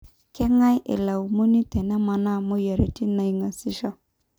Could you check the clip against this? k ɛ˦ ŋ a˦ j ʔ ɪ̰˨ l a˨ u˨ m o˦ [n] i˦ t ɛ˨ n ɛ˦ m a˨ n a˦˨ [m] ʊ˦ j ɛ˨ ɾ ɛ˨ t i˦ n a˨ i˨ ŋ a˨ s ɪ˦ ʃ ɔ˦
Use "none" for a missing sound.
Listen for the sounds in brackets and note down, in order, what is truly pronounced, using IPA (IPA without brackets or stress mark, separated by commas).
n, m